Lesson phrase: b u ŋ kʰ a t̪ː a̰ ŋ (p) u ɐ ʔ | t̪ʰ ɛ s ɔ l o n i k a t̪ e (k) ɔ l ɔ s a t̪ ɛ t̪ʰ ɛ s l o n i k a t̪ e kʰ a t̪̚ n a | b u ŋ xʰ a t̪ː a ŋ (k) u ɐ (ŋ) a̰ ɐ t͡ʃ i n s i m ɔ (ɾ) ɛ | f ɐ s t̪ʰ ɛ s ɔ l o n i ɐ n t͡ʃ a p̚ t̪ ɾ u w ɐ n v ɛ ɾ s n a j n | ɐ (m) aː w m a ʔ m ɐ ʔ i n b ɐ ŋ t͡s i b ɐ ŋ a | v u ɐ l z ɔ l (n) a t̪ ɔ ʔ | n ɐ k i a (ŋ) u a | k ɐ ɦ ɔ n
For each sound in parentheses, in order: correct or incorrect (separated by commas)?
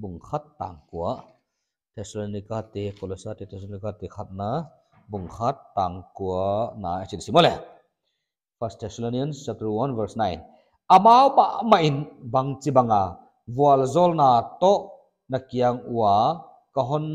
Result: incorrect, correct, correct, incorrect, incorrect, correct, correct, correct